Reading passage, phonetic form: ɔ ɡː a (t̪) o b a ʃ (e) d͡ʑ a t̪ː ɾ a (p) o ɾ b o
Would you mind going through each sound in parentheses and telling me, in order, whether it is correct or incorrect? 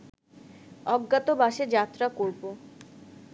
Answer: correct, correct, incorrect: k

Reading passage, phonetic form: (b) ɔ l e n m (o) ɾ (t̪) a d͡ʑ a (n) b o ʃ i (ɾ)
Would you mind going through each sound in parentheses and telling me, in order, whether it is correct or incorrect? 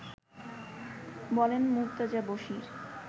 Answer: correct, incorrect: u, correct, incorrect: none, correct

